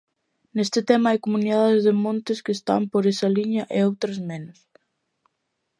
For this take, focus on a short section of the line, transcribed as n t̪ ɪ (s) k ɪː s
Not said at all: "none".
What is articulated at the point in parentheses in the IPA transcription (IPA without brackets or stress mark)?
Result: s